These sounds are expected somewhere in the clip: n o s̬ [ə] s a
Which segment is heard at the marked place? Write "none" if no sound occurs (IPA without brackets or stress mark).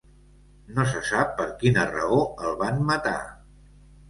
ə